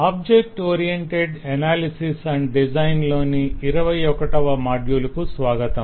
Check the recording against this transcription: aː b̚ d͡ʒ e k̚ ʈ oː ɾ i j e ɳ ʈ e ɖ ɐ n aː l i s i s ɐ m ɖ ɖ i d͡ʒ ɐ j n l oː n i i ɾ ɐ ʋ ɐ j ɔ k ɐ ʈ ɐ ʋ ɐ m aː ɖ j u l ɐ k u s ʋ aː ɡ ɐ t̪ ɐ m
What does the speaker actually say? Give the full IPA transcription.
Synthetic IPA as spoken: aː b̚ d͡ʒ e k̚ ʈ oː ɾ i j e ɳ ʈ e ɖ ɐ n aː l i s i s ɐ ɳ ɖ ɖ i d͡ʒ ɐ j n l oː n i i ɾ ɐ ʋ ɐ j ɔ k ɐ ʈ ɐ ʋ ɐ m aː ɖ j u l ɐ k u s ʋ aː ɡ ɐ t̪ ɐ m